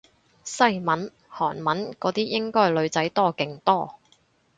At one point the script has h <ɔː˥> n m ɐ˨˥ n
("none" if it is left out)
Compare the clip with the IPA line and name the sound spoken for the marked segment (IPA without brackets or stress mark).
ɔː˨˩